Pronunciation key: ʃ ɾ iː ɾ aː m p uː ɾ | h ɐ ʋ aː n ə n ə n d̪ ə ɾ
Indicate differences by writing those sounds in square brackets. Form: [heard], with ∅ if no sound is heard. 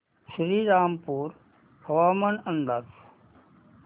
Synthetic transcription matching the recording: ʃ ɾ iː ɾ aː m p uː ɾ | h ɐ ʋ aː [m] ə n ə n d̪ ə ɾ